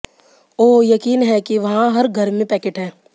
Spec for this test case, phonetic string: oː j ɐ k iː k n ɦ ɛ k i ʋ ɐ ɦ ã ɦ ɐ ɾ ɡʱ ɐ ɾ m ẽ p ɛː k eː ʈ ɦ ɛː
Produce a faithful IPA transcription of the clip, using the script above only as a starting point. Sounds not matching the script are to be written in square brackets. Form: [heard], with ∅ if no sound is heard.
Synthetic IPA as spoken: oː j ɐ k iː [∅] n ɦ ɛ k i ʋ ɐ ɦ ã ɦ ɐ ɾ ɡʱ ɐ ɾ m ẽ p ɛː k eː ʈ ɦ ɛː